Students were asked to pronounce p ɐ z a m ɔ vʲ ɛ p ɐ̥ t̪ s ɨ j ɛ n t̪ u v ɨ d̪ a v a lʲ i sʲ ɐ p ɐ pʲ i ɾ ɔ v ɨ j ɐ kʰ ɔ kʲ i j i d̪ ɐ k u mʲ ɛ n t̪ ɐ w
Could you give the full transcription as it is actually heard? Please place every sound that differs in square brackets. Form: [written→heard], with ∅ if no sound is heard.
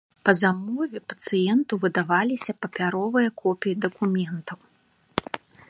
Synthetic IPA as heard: p ɐ z a m ɔ vʲ ɛ p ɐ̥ t̪ s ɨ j ɛ n t̪ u v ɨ d̪ a v a lʲ i sʲ ɐ p ɐ pʲ [i→a] ɾ ɔ v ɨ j ɐ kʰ ɔ [kʲ→pʲ] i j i d̪ ɐ k u mʲ ɛ n t̪ ɐ w